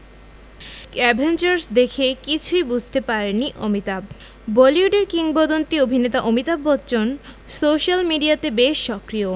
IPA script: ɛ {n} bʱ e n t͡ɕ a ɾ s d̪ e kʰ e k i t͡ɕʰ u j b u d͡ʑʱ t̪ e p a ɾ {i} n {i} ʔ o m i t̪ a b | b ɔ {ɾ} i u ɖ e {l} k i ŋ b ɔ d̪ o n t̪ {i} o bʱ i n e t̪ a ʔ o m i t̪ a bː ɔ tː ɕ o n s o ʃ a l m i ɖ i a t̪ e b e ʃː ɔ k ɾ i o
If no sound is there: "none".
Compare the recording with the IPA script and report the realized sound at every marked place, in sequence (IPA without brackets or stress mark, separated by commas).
none, e, i, l, ɾ, i